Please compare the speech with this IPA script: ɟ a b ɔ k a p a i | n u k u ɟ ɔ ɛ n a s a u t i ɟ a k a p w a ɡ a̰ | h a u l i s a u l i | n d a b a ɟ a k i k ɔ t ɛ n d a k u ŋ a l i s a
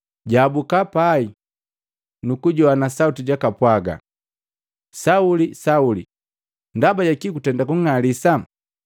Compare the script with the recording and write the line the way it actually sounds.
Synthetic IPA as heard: ɟ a b u k a p a i | n u k u ɟ ɔ a n a s a u t i ɟ a k a p w a ɡ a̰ | s a u l i s a u l i | n d a b a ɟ a k i k u t ɛ n d a k u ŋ a l i s a